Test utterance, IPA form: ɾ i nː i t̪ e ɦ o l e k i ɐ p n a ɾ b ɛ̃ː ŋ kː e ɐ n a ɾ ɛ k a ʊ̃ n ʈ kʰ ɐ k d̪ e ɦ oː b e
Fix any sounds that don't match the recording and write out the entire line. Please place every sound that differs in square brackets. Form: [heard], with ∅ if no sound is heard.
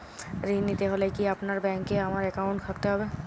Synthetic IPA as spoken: ɾ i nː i t̪ e ɦ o l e k i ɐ p n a ɾ b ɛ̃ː ŋ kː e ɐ [m] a ɾ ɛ k a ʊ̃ [ɳ] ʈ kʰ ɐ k [t̪] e ɦ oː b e

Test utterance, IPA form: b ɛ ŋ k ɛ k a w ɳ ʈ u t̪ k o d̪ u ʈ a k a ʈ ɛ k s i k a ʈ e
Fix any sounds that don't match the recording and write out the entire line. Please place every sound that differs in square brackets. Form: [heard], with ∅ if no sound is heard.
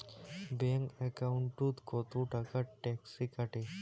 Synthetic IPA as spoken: b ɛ ŋ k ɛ k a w ɳ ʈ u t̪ k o [t̪] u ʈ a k a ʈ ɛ k s i k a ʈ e

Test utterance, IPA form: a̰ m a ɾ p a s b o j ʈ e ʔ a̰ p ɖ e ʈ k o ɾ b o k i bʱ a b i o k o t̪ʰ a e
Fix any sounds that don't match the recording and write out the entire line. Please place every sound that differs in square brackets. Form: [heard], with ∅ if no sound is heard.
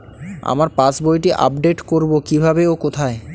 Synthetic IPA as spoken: a̰ m a ɾ p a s b o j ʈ [i] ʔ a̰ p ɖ e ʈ k o ɾ b o k i bʱ a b [e] o k o t̪ʰ a e

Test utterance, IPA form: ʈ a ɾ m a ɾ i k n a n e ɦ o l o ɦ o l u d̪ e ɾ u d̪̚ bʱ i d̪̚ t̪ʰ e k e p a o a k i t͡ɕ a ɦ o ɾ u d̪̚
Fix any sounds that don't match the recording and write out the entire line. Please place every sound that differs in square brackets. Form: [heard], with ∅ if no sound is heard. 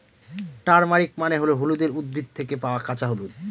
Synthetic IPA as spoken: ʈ a ɾ m a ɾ i k [m] a n e ɦ o l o ɦ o l u d̪ e ɾ u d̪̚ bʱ i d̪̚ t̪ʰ e k e p a o a k [a] t͡ɕ a ɦ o [l] u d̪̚

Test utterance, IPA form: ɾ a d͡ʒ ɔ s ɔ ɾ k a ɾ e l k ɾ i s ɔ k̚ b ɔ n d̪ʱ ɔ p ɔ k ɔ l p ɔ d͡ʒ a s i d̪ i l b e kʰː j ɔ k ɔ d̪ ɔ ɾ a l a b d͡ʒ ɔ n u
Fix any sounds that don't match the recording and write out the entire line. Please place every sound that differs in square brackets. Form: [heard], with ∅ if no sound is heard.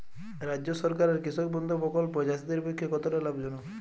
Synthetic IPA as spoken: ɾ a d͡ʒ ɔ s ɔ ɾ k a ɾ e [ɾ] k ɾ i s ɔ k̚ b ɔ n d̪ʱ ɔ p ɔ k ɔ l p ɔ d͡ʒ a s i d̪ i [ɾ] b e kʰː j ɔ k ɔ [t̪] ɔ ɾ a l a b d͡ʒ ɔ n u

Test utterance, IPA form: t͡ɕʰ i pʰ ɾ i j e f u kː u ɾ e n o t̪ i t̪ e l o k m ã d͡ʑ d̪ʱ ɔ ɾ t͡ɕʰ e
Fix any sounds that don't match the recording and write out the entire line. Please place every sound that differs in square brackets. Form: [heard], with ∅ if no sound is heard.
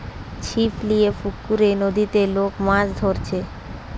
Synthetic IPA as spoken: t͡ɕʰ i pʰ [l] i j e f u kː u ɾ e n o [d̪] i t̪ e l o k m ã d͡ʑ d̪ʱ [o] ɾ t͡ɕʰ e

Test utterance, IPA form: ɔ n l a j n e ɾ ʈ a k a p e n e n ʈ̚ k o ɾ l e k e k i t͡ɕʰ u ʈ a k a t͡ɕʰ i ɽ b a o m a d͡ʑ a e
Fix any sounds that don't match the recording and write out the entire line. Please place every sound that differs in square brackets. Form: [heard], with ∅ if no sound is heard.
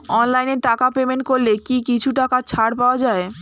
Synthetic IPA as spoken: ɔ n l a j n e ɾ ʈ a k a p e [m] e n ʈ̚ k o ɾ l e k [i] k i t͡ɕʰ u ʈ a k a t͡ɕʰ [a] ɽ [p] a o [∅] a d͡ʑ a e

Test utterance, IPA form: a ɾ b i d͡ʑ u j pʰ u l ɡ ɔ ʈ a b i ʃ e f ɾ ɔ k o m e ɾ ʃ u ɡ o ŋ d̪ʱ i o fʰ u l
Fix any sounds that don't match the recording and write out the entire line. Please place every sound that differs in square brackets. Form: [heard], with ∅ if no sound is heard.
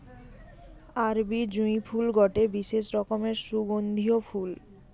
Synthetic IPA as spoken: a ɾ b i d͡ʑ u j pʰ u l ɡ ɔ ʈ [e] b i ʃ e [ʃ] ɾ ɔ k o m e ɾ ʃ u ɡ o [n] d̪ʱ i o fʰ u l

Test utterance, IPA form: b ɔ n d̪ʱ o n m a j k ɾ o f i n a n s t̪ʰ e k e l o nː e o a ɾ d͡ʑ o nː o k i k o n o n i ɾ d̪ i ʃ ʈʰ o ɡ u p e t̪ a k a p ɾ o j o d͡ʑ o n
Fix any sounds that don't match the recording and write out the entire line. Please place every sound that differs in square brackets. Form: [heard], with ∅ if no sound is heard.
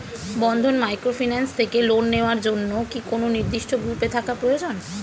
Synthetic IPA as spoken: b ɔ n d̪ʱ o n m a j k ɾ o f i n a n s t̪ʰ e k e l o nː e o a ɾ d͡ʑ o nː o k i k o n o n i ɾ d̪ i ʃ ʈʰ o ɡ u p e [t̪ʰ] a k a p ɾ o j o d͡ʑ o n

